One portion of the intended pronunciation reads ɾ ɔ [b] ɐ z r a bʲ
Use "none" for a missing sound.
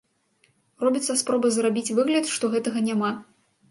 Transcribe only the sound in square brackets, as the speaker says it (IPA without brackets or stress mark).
b